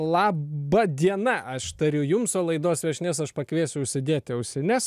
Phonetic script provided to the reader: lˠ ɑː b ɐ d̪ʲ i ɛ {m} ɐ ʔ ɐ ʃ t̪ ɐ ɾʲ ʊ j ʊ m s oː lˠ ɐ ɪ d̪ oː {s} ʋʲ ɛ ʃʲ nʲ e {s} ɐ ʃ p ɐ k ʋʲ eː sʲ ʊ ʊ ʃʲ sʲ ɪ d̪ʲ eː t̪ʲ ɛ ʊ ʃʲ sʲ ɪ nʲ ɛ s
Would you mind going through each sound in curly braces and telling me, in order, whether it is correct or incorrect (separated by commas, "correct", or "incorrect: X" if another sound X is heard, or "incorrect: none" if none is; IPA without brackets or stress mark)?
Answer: incorrect: n, correct, correct